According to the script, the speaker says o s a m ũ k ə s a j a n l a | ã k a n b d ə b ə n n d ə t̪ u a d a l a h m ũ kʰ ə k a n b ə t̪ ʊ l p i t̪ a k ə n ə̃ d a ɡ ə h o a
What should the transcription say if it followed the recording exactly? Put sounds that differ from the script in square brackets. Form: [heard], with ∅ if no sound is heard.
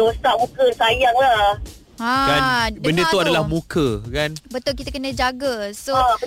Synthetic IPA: o s a m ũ k ə s a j a [ŋ] l a | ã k a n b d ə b ə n n d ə t̪ u a d a l a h m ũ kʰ ə k a n b ə t̪ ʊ l [k] i t̪ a k ə n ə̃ [d͡ʒ] a ɡ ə [s] o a